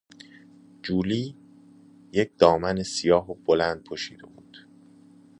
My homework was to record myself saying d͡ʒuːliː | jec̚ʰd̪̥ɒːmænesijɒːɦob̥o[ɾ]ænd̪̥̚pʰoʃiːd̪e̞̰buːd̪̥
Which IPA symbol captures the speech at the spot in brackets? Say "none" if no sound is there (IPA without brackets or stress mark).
l